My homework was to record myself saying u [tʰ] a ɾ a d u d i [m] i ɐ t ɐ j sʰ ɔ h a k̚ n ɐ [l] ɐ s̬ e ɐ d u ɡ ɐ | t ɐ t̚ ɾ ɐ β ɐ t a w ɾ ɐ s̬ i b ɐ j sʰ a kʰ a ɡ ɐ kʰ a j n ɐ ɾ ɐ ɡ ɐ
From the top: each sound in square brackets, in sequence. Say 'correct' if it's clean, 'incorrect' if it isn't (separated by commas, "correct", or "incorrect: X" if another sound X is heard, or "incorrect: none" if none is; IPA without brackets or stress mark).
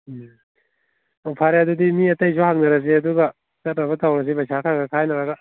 incorrect: pʰ, correct, incorrect: ɾ